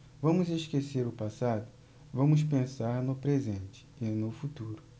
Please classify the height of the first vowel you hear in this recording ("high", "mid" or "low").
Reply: low